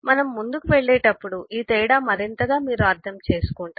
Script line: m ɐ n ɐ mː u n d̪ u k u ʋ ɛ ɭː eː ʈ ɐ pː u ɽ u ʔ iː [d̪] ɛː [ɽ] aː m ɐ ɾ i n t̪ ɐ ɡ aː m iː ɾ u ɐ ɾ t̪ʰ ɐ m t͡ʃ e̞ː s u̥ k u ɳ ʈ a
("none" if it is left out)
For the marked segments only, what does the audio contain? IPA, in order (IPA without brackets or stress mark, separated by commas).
t̪, ɽ